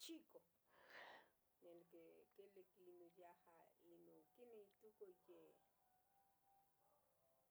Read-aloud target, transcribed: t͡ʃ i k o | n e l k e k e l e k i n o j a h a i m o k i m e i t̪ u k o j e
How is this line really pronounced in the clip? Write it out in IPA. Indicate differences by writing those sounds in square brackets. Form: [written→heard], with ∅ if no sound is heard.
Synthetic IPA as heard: t͡ʃ i k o | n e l k e k e l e k i n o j a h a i [m→n] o k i [m→n] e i t̪ u k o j e